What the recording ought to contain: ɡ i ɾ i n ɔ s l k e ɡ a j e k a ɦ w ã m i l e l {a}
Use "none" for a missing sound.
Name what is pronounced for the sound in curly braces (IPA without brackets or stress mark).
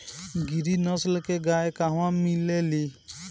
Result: i